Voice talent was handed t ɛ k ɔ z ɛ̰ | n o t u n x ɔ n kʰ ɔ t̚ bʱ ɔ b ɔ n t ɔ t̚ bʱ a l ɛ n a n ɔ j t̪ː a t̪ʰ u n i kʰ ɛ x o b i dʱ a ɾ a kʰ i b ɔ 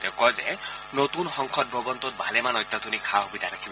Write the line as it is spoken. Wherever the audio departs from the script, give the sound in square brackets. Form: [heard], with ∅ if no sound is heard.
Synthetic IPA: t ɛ k ɔ z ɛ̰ | n o t u n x ɔ [ŋ] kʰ ɔ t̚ bʱ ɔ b ɔ n t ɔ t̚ bʱ a l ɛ [m] a n ɔ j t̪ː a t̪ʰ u n i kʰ [a] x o b i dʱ a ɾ a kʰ i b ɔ